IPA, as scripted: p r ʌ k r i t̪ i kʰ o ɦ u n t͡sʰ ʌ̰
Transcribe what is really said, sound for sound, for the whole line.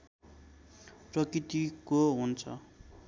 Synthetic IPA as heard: p r ʌ k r i t̪ i k o ɦ u n t͡sʰ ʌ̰